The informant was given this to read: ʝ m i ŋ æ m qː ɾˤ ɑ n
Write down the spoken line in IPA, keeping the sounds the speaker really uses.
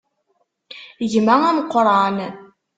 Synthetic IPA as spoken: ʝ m æ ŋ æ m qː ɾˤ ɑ n